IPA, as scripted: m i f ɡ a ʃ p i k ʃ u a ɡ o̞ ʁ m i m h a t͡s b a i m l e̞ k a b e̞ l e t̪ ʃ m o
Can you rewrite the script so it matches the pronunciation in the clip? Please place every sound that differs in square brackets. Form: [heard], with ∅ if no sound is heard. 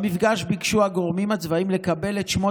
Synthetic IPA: m i f ɡ a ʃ [b] i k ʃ u a ɡ o̞ ʁ m i m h a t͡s [v] a i m l e̞ k a b e̞ l e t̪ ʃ m o